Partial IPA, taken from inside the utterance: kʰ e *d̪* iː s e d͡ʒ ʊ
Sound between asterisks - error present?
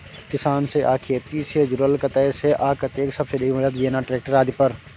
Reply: yes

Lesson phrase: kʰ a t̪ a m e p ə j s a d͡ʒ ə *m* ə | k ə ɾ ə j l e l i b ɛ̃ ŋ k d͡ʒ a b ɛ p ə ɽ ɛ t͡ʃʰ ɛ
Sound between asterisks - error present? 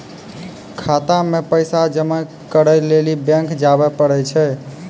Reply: no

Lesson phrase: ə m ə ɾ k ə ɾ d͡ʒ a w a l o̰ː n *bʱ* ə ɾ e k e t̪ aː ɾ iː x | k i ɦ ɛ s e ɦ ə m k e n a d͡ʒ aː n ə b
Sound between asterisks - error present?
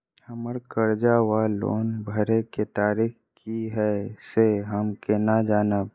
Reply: no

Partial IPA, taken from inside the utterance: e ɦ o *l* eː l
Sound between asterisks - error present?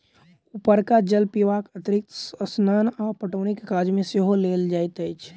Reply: no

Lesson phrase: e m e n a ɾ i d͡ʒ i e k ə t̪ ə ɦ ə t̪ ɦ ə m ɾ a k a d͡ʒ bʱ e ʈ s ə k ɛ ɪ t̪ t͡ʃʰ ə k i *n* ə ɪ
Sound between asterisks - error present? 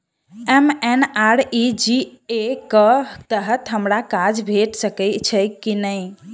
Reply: no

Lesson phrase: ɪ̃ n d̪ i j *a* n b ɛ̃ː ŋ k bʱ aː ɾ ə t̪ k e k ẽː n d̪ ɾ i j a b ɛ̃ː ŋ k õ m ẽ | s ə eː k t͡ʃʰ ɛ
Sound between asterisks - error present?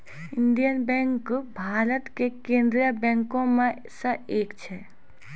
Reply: yes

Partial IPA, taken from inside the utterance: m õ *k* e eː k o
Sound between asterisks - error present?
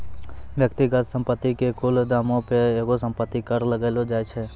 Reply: yes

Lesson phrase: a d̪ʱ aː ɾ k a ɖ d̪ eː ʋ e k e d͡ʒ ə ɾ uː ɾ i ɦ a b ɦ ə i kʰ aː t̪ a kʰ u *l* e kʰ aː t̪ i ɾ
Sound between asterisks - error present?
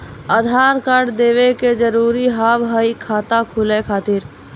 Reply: no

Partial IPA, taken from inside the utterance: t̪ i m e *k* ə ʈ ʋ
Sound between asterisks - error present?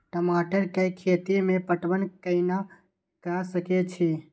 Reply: yes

